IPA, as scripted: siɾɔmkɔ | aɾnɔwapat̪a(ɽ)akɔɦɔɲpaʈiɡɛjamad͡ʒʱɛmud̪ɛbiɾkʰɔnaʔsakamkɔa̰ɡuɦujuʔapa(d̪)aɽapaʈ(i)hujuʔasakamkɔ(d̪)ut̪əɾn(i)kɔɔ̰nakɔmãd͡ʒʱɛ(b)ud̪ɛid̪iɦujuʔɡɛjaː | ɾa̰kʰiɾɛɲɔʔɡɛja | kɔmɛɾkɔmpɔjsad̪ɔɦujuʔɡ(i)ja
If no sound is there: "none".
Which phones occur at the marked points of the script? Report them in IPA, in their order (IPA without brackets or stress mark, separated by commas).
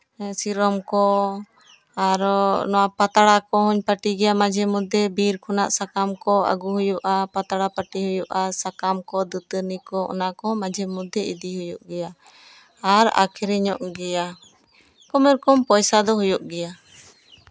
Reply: ɽ, t̪, i, d̪, i, m, ɛ